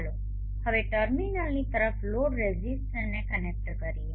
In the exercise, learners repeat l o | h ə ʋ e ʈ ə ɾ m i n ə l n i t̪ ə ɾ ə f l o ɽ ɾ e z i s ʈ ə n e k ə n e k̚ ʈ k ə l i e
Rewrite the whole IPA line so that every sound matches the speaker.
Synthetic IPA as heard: l o | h ə ʋ e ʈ ə ɾ m i n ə l n i t̪ ə ɾ ə f l o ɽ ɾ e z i s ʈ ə n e k ə n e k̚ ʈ k ə ɾ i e

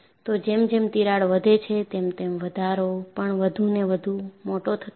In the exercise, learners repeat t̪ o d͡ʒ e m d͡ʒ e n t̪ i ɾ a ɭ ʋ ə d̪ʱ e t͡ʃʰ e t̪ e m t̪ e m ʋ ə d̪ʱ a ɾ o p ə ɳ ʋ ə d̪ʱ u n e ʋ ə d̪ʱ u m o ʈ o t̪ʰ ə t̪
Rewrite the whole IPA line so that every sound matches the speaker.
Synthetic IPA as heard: t̪ o d͡ʒ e m d͡ʒ e m t̪ i ɾ a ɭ ʋ ə d̪ʱ e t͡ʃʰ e t̪ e m t̪ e m ʋ ə d̪ʱ a ɾ o p ə ɳ ʋ ə d̪ʱ u n e ʋ ə d̪ʱ u m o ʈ o t̪ʰ ə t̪

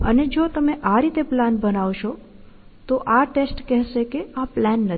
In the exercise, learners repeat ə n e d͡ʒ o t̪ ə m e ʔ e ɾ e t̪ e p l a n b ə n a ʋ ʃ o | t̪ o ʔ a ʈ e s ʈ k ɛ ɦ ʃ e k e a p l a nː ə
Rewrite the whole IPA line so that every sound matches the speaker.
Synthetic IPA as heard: ə n e d͡ʒ o t̪ ə m e ʔ a ɾ i t̪ e p l a n b ə n a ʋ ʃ o | t̪ o ʔ a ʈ e s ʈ k ɛ ɦ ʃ e k e a p l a nː ə

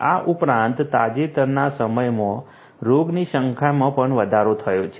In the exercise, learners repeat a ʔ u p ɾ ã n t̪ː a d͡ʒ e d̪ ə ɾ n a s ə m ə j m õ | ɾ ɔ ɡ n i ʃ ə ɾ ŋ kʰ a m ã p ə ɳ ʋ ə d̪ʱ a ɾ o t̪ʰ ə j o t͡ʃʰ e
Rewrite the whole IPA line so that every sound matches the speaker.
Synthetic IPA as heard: a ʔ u p ɾ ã n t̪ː a d͡ʒ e t̪ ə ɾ n a s ə m ə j m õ | ɾ o ɡ n i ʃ ə ŋ kʰ a m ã p ə ɳ ʋ ə d̪ʱ a ɾ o t̪ʰ ə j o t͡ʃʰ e

